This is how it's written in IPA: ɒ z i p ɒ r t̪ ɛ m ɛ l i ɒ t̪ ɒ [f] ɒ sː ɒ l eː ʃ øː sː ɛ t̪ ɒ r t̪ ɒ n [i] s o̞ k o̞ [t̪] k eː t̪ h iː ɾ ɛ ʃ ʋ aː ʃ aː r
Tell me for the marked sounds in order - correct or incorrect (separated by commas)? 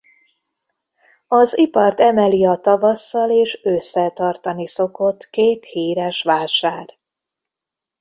incorrect, correct, correct